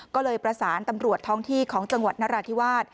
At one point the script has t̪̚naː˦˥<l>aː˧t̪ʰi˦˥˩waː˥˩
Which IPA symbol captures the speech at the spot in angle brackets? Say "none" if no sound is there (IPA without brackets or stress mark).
ɾ